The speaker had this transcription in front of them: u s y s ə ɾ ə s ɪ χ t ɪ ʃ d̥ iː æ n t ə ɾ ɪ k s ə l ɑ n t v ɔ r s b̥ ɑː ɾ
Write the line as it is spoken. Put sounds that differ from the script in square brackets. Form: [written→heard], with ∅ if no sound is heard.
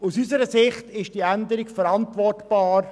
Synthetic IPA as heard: u s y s ə ɾ ə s ɪ χ t ɪ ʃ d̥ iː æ n [t→d] ə ɾ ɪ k [s→f] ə [l→ɾ] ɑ n t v ɔ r [s→t] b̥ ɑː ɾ